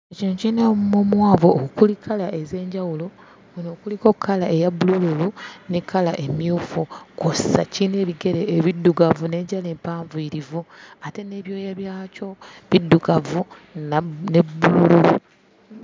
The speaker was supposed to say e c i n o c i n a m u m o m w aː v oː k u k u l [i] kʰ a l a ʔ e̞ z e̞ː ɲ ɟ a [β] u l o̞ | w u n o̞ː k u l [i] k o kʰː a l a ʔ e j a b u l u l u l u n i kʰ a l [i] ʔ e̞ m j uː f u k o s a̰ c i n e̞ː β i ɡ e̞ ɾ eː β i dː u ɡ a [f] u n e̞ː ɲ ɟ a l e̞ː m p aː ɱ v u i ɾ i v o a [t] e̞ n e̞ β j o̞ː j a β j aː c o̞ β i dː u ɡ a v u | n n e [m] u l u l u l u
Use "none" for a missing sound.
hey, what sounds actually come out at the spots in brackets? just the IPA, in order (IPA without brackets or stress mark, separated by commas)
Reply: i, w, i, a, v, t, b